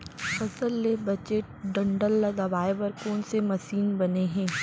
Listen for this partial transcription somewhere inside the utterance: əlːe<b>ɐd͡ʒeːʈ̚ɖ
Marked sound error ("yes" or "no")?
no